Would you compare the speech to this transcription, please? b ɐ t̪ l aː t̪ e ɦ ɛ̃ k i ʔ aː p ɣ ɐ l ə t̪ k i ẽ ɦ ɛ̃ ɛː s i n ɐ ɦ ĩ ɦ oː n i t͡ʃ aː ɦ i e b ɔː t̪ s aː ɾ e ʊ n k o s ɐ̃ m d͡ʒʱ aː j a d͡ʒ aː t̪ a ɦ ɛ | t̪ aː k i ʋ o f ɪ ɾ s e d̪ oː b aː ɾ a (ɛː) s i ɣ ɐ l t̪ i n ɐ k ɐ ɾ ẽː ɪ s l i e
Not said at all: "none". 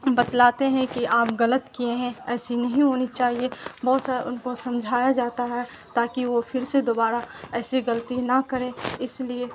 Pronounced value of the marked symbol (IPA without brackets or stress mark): ɛː